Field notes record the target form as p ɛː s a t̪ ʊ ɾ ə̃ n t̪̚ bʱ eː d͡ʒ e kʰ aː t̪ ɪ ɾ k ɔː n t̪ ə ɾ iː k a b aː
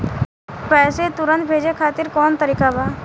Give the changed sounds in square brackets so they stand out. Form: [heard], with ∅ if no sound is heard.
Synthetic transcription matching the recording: p ɛː s [e] t̪ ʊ ɾ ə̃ n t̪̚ bʱ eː d͡ʒ e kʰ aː t̪ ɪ ɾ k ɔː n t̪ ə ɾ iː k a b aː